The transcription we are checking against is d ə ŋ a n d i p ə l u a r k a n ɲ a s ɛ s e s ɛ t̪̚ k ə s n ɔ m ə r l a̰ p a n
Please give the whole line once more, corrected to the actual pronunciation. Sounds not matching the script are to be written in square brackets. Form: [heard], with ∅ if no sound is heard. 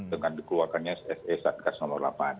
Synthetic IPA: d ə ŋ a n d i [k] ə l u a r k a n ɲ a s ɛ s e s [a] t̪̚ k [a] s n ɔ m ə r l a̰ p a n